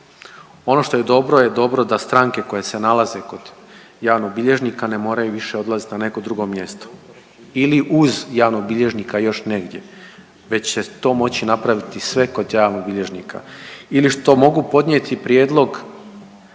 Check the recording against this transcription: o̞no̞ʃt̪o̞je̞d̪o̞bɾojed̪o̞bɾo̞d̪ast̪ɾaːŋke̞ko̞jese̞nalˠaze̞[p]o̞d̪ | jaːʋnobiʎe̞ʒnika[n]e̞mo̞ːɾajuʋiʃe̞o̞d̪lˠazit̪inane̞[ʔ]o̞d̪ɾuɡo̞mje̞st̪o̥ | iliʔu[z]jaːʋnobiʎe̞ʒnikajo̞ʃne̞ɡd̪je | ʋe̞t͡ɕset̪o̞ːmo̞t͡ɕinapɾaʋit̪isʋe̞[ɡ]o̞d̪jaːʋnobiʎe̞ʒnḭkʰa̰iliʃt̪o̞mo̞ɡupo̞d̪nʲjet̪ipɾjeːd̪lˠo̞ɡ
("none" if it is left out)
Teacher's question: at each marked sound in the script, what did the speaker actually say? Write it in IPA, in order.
k, n, k, z, k

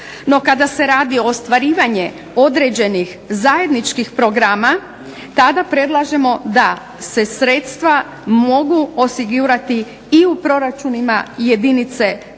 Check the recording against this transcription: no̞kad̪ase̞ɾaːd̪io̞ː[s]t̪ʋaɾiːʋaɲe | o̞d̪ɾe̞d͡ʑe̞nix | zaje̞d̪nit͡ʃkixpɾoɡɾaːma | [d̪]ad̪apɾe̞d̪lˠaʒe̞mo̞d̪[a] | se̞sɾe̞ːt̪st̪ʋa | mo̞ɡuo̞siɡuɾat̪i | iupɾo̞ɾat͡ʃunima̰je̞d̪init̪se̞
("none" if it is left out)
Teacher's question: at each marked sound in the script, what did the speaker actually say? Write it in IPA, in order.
s, t̪, a

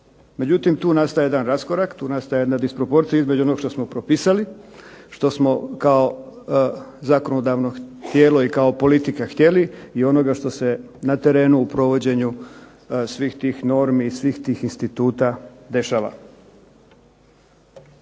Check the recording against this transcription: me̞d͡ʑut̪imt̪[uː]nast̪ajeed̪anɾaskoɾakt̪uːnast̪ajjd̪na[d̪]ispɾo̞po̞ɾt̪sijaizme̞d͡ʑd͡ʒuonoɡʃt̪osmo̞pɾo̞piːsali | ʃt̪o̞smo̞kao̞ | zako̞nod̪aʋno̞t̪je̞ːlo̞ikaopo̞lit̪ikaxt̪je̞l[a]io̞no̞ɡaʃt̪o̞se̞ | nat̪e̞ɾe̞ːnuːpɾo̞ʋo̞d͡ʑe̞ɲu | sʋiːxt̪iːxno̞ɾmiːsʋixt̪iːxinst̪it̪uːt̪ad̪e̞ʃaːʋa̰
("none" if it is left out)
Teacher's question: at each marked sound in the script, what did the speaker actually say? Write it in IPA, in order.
uː, d̪, i

